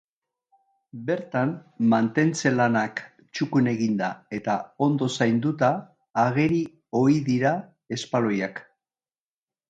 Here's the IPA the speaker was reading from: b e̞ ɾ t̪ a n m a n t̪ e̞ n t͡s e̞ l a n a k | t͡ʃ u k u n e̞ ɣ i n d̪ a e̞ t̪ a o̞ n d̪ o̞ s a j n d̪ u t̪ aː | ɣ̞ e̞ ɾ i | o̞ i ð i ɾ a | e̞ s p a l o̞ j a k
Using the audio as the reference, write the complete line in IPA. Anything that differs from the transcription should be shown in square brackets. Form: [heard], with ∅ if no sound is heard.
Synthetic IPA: b e̞ ɾ t̪ a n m a n t̪ e̞ n t͡s e̞ l a n a k | t͡ʃ u k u n e̞ ɣ i n d̪ a e̞ t̪ a o̞ n d̪ o̞ s a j n d̪ u t̪ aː | ɣ̞ e̞ ɾ i | o̞ i ð i ɾ a | e̞ s p a l o̞ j a k